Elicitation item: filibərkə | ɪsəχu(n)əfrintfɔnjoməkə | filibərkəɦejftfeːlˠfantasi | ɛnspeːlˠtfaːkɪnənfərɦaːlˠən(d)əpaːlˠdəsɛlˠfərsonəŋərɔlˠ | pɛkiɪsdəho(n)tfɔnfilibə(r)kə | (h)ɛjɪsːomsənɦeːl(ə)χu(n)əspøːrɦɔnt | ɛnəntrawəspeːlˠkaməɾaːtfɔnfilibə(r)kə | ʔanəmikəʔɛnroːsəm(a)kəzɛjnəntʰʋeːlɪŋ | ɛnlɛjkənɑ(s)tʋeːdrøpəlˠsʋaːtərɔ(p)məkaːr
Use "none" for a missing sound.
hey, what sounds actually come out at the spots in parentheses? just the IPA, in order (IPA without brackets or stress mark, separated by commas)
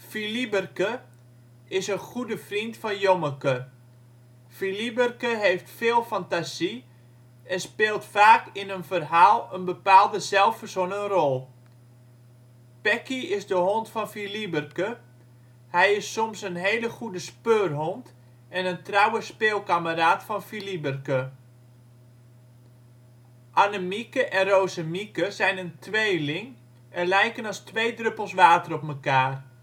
d, b, n, r, h, ə, d, r, i, s, p